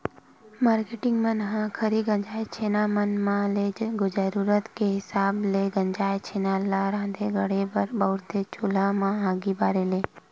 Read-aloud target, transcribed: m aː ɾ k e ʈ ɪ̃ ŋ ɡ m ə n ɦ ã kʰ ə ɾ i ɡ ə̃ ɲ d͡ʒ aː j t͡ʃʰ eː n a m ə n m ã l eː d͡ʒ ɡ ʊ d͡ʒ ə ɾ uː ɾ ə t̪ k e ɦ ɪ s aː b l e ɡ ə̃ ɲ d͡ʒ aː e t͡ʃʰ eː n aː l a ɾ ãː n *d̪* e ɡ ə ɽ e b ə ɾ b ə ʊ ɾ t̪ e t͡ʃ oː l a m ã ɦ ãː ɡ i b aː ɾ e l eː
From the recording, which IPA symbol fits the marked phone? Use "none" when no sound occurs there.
d̪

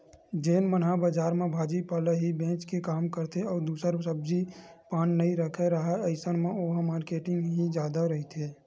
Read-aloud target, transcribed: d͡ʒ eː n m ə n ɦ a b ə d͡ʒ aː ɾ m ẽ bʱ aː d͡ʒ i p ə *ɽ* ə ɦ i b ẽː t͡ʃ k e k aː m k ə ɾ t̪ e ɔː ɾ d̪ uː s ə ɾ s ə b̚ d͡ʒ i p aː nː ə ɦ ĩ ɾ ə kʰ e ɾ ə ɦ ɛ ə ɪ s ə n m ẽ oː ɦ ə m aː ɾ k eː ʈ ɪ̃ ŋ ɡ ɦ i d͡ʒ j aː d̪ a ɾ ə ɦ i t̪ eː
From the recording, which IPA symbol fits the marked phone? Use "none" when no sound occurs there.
l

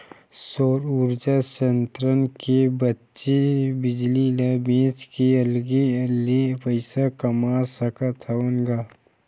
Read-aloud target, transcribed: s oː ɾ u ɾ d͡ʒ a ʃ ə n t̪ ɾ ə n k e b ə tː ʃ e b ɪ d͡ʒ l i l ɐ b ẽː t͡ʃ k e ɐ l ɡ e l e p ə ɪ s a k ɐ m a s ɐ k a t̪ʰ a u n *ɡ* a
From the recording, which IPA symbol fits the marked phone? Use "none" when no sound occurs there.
ɡ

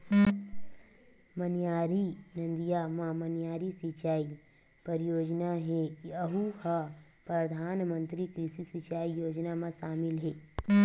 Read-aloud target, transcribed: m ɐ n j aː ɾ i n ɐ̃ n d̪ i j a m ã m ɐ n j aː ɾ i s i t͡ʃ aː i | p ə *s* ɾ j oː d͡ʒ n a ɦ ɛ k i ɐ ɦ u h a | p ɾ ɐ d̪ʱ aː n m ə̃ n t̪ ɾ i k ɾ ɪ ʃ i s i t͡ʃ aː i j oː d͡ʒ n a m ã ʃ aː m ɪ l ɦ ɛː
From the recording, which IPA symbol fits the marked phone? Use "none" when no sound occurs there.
none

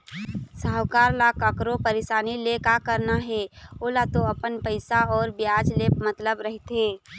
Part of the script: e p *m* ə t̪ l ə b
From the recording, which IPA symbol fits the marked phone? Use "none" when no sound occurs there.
m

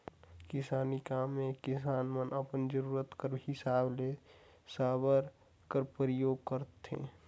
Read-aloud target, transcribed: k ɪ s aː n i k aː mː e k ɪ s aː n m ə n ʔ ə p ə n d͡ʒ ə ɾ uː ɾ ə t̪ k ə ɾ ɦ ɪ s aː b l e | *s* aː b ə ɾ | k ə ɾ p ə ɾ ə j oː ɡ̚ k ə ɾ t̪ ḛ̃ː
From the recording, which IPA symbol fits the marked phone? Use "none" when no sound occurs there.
s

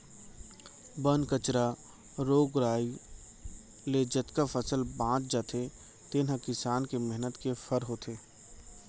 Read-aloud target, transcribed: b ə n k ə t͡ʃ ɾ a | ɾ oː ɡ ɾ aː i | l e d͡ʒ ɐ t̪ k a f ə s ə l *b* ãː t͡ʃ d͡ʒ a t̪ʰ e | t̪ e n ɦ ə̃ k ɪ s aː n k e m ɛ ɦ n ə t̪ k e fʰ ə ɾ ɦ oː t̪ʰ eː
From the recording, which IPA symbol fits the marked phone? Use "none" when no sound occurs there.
b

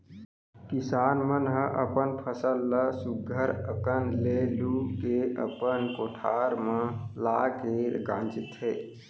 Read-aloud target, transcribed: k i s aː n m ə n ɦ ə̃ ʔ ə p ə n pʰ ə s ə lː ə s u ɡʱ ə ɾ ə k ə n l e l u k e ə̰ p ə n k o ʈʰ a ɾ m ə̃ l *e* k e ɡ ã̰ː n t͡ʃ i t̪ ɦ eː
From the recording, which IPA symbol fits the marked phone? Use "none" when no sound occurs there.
a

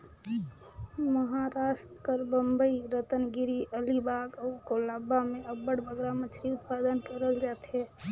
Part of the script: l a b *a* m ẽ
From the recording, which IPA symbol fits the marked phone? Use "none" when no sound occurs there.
a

